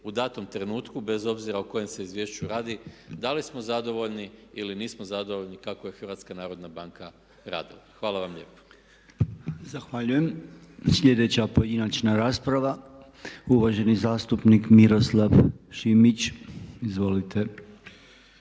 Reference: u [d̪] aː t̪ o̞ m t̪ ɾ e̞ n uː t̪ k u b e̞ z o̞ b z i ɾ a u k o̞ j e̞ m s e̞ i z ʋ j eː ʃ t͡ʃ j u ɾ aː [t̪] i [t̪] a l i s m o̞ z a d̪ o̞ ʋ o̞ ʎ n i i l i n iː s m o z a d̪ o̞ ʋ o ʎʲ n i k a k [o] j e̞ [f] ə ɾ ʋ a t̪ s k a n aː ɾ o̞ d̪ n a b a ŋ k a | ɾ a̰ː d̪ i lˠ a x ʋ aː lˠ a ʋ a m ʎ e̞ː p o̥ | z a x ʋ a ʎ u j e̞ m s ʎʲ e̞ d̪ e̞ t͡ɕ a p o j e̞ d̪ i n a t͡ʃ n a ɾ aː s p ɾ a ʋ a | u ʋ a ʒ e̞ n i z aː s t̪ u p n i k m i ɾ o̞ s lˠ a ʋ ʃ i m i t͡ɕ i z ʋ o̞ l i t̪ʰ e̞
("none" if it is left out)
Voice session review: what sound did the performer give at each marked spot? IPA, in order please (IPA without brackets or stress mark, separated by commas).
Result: d̪, d̪, d̪, o, x